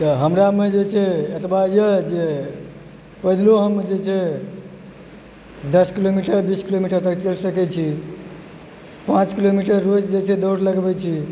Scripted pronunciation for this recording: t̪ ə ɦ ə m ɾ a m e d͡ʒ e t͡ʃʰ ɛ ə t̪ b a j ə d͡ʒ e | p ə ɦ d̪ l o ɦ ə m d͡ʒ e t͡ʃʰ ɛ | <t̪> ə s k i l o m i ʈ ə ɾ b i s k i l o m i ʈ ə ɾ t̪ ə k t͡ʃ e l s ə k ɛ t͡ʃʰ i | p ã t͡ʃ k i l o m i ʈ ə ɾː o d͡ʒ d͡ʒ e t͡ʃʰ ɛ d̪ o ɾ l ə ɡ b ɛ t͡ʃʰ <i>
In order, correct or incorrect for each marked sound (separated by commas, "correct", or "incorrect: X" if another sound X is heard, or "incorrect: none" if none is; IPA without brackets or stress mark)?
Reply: incorrect: d̪, correct